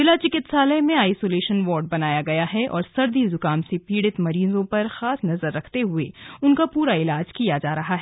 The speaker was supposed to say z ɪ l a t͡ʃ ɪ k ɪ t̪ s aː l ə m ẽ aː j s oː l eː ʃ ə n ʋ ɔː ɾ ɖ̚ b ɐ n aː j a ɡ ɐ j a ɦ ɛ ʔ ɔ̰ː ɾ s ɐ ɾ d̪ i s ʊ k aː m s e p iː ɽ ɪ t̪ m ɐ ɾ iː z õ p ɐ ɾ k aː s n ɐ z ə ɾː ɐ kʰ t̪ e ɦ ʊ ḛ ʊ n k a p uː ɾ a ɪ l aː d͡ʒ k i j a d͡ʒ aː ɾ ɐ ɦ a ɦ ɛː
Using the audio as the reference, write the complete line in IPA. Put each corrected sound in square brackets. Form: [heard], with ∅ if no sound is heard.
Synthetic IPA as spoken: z ɪ l a t͡ʃ ɪ k ɪ t̪ s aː l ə m ẽ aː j s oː l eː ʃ ə n ʋ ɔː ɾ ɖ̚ b ɐ n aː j a ɡ ɐ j a ɦ ɛ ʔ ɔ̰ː ɾ s ɐ ɾ d̪ i [z] ʊ k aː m s e p iː ɽ ɪ t̪ m ɐ ɾ iː z õ p ɐ ɾ [x] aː s n ɐ z ə ɾː ɐ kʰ t̪ e ɦ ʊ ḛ ʊ n k a p uː ɾ a ɪ l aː d͡ʒ k i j a d͡ʒ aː ɾ ɐ ɦ a ɦ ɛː